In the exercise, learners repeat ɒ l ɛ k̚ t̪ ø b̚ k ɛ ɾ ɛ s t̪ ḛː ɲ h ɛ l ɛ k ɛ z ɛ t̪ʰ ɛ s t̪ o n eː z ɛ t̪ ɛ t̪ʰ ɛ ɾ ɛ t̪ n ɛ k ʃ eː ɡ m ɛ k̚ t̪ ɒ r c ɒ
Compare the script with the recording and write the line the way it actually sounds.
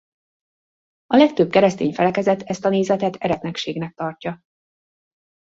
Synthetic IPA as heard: ɒ l ɛ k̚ t̪ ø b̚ k ɛ ɾ ɛ s t̪ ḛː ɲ f ɛ l ɛ k ɛ z ɛ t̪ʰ ɛ s t̪ ɒ n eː z ɛ t̪ ɛ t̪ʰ ɛ ɾ ɛ t̪ n ɛ k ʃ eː ɡ n ɛ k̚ t̪ ɒ r c ɒ